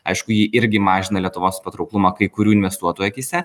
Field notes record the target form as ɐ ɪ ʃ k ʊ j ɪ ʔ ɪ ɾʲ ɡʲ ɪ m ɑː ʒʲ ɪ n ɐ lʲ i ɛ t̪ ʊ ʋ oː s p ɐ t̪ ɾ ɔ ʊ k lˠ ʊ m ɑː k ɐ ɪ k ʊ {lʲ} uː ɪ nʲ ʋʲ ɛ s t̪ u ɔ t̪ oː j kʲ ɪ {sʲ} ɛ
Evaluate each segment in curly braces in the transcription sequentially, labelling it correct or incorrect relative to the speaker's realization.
incorrect, correct

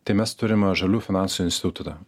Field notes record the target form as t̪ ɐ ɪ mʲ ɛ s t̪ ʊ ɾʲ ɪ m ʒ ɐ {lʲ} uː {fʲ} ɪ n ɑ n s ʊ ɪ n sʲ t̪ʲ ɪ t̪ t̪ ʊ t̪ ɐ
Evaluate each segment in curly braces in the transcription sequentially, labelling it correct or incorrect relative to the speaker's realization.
correct, correct

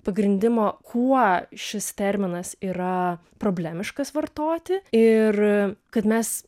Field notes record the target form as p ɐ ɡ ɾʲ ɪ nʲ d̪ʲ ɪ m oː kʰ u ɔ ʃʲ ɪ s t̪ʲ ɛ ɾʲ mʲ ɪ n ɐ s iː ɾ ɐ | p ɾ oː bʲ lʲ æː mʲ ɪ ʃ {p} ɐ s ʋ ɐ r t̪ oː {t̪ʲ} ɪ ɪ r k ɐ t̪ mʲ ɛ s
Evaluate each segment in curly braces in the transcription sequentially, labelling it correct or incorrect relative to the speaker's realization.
incorrect, correct

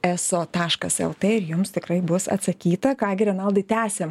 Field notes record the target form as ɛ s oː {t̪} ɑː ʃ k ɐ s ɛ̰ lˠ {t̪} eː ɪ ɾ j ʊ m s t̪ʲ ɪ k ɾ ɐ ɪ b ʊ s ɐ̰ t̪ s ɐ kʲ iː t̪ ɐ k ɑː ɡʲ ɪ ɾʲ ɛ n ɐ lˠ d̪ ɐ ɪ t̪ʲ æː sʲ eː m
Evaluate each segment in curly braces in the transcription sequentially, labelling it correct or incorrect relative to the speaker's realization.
correct, correct

